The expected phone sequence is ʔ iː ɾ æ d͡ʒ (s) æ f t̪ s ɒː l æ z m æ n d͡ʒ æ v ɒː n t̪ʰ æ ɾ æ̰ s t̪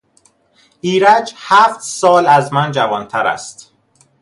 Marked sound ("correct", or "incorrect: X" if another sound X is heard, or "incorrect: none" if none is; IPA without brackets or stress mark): incorrect: h